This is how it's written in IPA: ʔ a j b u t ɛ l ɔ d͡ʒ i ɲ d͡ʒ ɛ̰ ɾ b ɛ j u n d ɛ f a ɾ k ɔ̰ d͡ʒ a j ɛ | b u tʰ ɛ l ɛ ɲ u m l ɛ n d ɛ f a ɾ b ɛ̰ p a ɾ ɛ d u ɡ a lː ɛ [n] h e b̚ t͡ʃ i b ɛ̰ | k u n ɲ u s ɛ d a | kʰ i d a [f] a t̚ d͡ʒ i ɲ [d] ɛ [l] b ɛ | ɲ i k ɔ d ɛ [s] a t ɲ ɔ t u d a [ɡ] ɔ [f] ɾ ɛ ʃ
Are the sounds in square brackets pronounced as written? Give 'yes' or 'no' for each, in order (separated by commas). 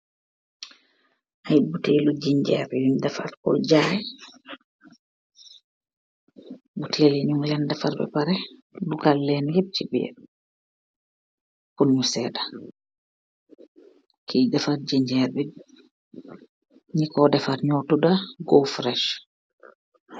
yes, yes, no, no, no, yes, yes